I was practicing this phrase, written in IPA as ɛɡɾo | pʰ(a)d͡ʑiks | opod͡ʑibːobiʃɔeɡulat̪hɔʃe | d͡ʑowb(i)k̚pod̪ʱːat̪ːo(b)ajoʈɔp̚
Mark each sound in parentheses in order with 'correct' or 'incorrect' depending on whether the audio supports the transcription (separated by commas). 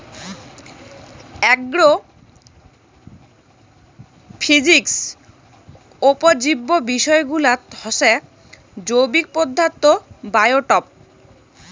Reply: incorrect, correct, correct